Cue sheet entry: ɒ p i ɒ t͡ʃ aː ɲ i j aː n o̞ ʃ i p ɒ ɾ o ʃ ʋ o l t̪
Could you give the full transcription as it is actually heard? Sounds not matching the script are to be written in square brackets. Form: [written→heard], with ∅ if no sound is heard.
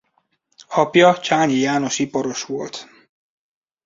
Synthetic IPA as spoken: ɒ p [i→j] ɒ t͡ʃ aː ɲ i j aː n o̞ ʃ i p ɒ ɾ o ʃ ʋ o l t̪